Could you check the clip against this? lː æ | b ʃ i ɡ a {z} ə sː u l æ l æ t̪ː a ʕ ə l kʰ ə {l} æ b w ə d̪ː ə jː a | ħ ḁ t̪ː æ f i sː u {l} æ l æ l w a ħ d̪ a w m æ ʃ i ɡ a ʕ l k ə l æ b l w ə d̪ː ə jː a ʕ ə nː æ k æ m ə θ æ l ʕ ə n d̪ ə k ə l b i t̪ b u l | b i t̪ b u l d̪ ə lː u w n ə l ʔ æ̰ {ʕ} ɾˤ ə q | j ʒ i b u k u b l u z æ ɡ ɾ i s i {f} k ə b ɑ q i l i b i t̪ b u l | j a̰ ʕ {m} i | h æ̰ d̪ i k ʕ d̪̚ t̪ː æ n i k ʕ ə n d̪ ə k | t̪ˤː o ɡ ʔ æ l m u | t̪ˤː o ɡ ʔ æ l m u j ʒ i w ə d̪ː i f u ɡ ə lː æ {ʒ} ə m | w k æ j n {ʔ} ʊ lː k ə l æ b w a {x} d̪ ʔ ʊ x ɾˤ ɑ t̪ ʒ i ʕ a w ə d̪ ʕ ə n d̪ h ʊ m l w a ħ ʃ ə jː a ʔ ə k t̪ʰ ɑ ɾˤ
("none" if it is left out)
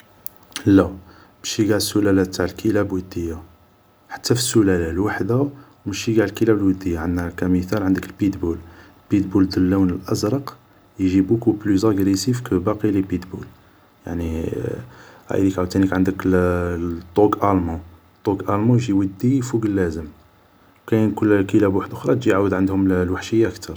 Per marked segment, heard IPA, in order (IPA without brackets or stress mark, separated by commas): ʕ, l, l, z, f, n, z, k, ħ